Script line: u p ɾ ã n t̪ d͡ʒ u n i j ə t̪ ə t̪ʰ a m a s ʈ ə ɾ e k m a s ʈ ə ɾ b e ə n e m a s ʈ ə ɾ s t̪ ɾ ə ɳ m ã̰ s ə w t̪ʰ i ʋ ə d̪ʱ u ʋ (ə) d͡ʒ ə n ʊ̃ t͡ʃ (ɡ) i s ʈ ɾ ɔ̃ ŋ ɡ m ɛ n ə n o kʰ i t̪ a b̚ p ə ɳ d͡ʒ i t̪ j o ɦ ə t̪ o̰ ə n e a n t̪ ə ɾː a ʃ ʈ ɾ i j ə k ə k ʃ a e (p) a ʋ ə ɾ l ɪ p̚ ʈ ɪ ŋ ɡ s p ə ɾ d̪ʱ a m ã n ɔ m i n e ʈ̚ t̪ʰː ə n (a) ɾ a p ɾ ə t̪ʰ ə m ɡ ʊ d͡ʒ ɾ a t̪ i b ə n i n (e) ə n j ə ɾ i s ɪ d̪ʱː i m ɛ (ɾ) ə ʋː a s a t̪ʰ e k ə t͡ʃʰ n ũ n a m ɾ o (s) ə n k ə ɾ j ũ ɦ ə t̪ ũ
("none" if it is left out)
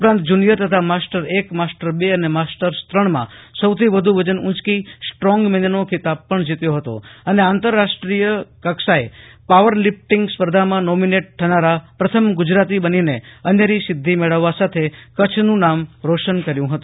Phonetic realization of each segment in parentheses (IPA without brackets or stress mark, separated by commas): ə, k, p, a, e, ɭ, ʃ